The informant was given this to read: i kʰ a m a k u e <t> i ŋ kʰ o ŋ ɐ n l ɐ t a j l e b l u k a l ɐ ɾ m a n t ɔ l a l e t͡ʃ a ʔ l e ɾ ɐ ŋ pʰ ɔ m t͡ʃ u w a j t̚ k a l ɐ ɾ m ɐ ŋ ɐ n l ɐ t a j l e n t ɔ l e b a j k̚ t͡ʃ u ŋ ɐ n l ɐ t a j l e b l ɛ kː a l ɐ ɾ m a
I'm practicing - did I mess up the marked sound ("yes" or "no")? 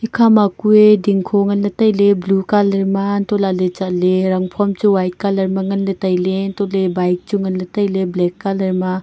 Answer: yes